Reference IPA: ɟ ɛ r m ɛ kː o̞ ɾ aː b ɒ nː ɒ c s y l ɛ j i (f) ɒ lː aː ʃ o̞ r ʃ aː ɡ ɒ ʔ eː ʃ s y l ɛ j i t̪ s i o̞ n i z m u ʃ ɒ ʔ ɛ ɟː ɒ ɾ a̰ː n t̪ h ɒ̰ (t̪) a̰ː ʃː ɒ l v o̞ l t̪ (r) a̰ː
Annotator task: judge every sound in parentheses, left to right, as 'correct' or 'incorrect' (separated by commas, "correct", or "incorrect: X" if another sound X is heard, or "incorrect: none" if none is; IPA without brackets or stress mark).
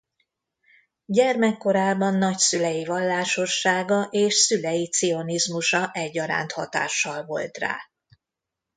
incorrect: v, correct, correct